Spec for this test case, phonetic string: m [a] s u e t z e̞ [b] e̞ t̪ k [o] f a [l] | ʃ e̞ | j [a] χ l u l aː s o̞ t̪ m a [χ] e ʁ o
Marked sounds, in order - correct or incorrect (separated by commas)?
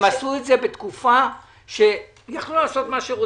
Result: correct, correct, incorrect, incorrect, correct, incorrect